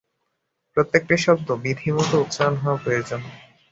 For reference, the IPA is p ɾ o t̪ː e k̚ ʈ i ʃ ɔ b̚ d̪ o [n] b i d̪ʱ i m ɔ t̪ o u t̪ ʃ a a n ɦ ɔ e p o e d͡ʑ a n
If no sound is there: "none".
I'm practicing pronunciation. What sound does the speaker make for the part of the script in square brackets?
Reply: none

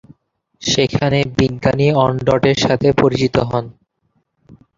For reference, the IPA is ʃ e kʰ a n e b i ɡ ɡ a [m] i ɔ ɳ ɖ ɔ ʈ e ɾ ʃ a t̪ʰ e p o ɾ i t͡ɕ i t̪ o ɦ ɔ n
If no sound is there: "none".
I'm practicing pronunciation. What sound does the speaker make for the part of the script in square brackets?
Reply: n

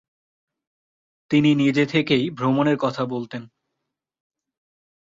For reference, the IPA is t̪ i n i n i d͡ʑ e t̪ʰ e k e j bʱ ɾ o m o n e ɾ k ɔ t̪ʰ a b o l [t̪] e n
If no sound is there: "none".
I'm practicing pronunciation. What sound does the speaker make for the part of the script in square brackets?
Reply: t̪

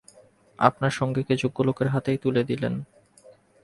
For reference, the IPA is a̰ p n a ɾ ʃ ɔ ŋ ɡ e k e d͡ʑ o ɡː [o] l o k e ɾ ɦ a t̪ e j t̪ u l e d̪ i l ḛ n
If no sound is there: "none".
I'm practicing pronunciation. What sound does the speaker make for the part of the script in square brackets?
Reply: o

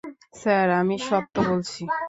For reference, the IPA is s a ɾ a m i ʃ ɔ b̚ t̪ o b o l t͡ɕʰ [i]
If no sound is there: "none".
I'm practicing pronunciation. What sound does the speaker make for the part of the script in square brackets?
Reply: i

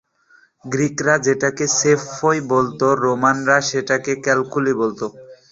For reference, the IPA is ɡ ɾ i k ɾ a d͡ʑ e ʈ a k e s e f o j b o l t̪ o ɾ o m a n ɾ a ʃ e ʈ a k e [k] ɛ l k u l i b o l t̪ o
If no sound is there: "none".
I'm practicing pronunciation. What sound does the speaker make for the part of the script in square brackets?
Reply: k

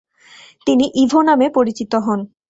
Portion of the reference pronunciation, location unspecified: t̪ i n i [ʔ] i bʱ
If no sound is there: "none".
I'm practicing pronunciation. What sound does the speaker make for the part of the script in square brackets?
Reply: ʔ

